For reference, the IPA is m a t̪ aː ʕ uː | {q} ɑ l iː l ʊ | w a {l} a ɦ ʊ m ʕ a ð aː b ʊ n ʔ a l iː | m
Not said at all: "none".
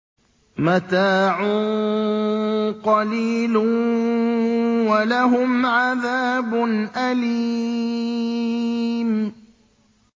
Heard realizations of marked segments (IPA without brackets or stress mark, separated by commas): q, l